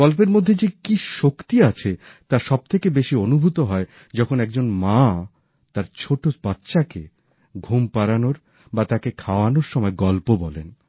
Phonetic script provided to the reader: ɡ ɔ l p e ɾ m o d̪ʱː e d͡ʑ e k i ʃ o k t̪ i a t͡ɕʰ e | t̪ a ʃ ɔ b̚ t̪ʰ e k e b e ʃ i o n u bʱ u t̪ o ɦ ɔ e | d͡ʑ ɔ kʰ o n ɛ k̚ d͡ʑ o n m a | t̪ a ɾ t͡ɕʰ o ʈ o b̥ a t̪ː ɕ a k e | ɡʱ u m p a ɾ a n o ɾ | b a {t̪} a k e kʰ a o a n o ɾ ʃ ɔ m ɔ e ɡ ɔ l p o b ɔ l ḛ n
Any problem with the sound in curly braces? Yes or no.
no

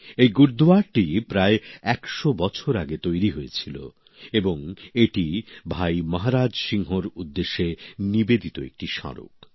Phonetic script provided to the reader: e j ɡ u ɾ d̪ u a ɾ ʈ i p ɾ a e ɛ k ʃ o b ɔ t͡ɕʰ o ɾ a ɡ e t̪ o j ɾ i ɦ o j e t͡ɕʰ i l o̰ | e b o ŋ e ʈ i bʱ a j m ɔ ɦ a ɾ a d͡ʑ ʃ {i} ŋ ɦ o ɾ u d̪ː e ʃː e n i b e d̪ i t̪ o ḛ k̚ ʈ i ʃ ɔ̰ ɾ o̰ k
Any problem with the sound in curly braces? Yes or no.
no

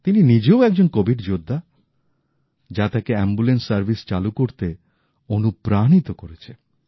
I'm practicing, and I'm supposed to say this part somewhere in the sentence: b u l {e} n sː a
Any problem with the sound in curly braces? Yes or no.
no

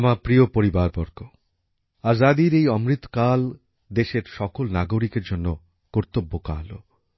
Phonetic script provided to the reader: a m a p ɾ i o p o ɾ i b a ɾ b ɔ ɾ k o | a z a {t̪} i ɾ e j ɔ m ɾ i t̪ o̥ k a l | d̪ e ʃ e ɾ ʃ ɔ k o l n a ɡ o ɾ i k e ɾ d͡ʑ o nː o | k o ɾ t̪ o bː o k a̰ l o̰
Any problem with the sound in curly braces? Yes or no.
yes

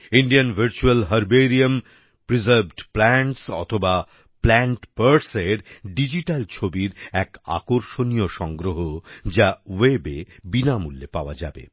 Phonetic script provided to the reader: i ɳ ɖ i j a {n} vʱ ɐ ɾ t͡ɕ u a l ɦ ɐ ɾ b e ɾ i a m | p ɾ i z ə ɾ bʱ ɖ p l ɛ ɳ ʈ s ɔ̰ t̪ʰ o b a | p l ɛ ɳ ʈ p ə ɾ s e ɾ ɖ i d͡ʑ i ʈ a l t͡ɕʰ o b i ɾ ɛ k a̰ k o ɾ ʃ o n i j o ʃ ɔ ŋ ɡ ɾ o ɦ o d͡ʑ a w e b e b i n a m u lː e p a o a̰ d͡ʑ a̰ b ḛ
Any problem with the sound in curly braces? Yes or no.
no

